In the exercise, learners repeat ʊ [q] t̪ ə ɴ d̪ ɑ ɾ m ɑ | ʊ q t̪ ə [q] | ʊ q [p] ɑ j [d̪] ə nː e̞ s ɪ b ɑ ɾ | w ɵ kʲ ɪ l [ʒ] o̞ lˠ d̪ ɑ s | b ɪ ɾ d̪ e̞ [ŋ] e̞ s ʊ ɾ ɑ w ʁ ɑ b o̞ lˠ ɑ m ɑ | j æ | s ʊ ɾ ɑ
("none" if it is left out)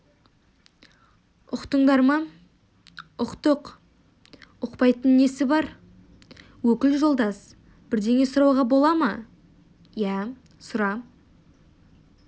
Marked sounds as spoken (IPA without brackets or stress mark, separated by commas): q, q, p, t̪, ʒ, ŋ